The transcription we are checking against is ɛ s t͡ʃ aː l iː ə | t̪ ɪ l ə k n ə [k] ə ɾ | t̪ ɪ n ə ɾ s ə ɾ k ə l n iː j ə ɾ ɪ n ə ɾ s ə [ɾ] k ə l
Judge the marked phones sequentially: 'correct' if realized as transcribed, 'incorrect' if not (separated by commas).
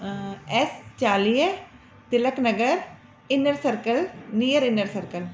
incorrect, correct